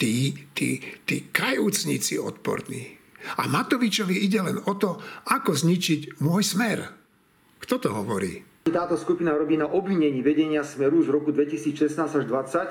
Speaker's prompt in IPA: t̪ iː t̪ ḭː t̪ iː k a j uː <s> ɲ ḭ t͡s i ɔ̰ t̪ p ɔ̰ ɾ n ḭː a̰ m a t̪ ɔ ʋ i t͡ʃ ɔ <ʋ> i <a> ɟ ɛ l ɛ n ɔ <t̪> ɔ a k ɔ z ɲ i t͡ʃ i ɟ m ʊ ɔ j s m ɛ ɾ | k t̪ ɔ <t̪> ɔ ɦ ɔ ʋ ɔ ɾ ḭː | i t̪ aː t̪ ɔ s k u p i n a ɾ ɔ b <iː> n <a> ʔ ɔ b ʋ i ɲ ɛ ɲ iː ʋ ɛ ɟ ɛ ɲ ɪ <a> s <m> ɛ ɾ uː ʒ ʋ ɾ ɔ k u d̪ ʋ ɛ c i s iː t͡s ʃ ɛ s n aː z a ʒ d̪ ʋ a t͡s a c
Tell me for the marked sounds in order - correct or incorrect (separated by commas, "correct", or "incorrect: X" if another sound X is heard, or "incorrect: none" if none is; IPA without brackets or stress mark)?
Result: incorrect: t͡s, correct, incorrect: i, correct, correct, correct, correct, correct, correct